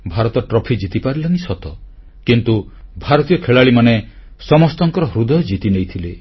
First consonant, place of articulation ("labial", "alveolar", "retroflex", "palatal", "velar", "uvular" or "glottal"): labial